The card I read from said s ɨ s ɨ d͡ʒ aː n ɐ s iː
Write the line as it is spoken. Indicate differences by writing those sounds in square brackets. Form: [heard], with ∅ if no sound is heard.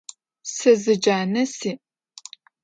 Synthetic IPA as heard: s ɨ [z] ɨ d͡ʒ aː n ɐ s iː